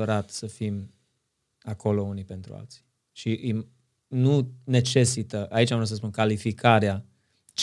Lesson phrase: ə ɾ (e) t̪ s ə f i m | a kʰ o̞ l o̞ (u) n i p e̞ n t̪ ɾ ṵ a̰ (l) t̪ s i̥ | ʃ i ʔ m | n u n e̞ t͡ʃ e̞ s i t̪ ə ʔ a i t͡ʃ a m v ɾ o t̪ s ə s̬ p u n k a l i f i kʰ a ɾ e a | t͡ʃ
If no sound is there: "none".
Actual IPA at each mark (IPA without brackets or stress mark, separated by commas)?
a, u, l